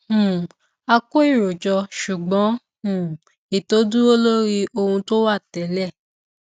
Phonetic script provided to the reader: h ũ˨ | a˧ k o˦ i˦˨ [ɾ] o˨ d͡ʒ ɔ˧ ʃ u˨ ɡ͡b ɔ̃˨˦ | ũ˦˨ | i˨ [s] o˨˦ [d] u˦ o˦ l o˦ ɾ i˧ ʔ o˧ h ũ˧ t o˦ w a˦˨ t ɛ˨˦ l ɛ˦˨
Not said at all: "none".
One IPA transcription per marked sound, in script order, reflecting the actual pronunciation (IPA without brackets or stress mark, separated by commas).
ɾ, t, d